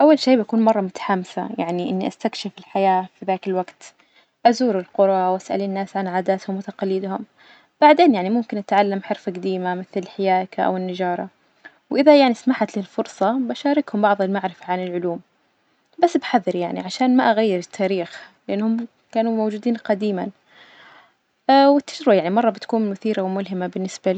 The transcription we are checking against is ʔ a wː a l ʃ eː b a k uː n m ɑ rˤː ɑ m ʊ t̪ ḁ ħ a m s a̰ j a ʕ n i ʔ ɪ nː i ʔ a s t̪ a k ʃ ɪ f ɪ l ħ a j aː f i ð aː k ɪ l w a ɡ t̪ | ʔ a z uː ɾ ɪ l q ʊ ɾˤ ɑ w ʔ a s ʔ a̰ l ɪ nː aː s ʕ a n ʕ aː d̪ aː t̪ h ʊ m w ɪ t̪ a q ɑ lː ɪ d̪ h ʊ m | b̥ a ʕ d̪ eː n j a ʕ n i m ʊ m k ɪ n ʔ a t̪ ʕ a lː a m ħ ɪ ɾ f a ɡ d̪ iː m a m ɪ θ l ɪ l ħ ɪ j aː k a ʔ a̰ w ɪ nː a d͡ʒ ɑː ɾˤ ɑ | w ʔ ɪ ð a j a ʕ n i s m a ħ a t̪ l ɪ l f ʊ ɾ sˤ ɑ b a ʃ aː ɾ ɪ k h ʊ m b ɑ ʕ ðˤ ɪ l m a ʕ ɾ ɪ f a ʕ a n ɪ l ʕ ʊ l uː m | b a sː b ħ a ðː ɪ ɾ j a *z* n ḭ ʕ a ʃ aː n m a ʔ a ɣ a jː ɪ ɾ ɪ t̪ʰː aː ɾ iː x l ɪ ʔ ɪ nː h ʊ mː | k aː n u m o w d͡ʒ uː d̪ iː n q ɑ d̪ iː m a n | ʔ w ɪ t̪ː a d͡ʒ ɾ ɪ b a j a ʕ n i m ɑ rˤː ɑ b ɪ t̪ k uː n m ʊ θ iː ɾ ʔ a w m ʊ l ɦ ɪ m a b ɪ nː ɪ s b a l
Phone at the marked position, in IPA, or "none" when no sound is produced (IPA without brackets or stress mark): ʕ